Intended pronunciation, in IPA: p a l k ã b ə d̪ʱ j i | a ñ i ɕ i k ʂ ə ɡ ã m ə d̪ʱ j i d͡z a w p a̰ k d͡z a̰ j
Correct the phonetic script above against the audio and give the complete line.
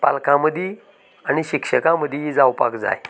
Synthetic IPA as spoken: p a l k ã m ə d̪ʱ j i | a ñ i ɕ i k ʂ ə k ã m ə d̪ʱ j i d͡z a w p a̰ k d͡z a̰ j